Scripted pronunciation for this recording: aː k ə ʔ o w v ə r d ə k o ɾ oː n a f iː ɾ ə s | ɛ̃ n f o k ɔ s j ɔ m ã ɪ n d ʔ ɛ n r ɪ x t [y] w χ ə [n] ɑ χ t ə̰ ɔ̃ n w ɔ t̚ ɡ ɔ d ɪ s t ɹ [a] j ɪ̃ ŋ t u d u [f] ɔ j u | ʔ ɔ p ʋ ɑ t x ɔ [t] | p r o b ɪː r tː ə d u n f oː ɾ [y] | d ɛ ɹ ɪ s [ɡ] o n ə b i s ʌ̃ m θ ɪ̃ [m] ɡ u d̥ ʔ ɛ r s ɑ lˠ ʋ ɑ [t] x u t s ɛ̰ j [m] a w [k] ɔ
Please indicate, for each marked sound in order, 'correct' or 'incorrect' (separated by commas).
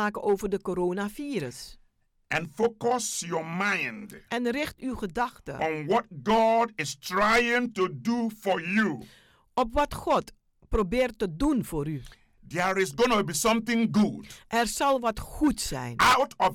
correct, incorrect, correct, correct, correct, correct, correct, incorrect, correct, incorrect, incorrect